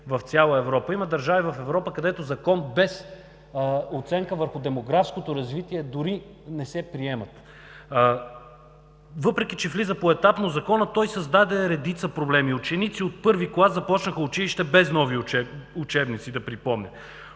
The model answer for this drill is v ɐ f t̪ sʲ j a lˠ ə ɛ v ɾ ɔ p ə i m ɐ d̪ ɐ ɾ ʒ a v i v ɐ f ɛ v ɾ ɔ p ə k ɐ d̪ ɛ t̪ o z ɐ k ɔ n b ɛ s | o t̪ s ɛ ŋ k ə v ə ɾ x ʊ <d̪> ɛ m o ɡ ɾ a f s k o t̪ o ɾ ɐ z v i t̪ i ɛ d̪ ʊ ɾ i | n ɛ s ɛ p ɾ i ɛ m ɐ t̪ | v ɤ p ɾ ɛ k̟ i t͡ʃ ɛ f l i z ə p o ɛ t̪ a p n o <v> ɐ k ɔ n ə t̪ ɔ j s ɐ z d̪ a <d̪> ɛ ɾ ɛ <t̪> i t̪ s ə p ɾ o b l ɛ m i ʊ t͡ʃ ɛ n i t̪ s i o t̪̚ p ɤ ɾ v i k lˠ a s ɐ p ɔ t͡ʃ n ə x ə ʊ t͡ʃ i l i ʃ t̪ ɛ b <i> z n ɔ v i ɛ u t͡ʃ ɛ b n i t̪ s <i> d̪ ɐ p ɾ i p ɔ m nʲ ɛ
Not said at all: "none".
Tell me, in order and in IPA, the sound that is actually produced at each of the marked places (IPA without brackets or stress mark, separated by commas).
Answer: d̪, z, d̪, d̪, ɛ, i